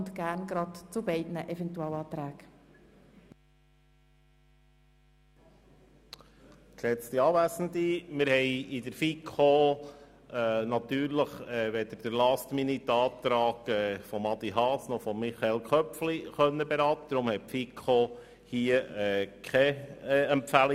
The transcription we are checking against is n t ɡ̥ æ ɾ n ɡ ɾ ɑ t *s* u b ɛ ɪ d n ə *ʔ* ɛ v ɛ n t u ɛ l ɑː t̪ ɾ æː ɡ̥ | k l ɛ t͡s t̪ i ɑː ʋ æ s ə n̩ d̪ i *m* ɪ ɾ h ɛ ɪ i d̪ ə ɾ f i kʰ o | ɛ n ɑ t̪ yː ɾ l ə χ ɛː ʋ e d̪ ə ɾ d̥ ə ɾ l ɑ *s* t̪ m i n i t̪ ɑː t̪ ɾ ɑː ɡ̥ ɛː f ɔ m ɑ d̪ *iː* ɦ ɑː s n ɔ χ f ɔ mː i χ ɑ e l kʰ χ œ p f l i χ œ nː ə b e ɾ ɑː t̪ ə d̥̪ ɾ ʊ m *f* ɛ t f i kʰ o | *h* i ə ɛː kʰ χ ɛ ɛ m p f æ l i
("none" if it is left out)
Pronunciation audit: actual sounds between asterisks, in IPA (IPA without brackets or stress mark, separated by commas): t͡s, ʔ, m, s, i, h, h